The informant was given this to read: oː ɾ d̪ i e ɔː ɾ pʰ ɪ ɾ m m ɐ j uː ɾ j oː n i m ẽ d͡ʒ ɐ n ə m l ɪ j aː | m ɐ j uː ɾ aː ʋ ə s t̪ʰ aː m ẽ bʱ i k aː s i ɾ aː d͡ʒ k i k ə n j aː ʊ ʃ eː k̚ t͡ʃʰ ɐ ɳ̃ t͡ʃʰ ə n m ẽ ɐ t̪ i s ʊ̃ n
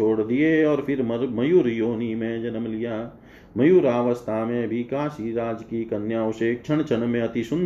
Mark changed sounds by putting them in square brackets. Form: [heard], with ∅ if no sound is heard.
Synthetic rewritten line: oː [ɽ] d̪ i e ɔː ɾ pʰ ɪ ɾ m m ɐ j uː ɾ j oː n i m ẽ d͡ʒ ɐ n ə m l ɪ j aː | m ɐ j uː ɾ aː ʋ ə s t̪ʰ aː m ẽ bʱ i k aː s i ɾ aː d͡ʒ k i k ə n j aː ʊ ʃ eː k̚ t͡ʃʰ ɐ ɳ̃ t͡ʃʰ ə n m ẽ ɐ t̪ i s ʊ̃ n